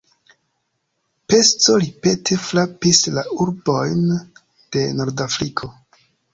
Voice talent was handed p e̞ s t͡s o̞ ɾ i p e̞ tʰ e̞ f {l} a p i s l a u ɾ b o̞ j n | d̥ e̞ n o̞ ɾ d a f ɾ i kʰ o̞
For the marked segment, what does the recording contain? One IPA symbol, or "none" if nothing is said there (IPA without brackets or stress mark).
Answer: l